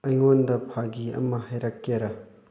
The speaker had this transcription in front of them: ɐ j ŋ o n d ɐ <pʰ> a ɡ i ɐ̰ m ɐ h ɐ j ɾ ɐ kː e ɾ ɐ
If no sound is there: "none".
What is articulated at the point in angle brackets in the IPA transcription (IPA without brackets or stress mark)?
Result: pʰ